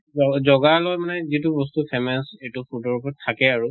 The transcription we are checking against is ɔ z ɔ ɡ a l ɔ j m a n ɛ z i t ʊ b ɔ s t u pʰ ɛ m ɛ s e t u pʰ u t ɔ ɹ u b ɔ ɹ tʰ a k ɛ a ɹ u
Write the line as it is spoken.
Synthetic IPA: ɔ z ɔ ɡ a l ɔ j m a n ɛ z i t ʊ b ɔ s t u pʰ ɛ m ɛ s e t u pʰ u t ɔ ɹ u p ɔ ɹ tʰ a k ɛ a ɹ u